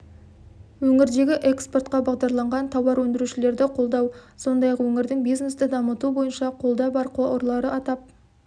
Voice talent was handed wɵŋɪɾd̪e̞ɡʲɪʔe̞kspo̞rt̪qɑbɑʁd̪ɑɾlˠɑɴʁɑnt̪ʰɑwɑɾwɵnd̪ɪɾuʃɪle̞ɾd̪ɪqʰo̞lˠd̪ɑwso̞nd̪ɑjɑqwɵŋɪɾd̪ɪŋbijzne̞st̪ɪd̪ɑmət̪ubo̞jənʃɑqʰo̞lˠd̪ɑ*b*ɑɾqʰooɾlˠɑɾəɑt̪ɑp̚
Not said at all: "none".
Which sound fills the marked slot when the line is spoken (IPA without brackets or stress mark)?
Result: b